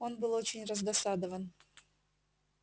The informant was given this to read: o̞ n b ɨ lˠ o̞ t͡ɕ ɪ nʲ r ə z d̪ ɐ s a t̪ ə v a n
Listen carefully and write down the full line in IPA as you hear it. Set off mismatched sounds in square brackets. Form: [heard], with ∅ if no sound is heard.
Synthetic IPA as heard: o̞ n b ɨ lˠ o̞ t͡ɕ ɪ nʲ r ə z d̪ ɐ s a [d̪] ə v [ə] n